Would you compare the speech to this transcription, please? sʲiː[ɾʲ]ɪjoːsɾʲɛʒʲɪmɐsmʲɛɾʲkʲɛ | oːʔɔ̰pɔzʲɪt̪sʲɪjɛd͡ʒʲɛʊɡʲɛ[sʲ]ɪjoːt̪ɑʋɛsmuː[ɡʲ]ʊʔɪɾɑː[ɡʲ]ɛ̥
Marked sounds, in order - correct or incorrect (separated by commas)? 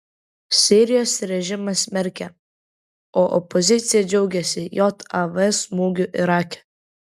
correct, correct, correct, incorrect